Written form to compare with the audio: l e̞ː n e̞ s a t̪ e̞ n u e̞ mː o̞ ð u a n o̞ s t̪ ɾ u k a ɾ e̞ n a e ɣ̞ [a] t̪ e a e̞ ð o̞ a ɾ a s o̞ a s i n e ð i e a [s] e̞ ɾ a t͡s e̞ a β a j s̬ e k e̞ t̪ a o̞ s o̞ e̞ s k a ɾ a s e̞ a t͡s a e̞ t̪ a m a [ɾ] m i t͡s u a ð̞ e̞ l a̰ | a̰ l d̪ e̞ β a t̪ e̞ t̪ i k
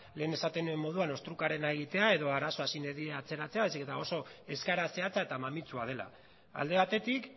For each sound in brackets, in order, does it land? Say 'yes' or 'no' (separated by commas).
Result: no, no, no